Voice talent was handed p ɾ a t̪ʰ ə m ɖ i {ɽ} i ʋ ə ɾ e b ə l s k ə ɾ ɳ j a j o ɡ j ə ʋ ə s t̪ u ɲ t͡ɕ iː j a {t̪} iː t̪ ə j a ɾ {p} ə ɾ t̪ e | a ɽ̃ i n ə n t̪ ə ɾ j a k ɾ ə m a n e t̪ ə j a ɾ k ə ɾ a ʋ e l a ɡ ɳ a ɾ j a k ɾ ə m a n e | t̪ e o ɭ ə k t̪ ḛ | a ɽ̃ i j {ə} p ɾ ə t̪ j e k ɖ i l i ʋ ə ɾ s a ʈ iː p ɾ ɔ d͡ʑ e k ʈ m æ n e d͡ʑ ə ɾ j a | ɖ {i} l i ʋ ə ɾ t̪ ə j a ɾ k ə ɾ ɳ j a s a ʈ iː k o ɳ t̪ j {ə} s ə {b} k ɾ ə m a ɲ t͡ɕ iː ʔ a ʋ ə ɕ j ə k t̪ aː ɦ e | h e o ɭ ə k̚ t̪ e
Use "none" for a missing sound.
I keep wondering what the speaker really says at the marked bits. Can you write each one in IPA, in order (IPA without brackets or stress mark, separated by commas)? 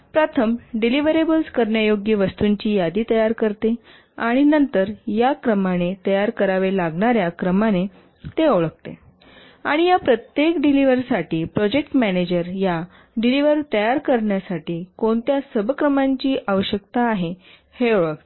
l, d̪, k, a, i, a, b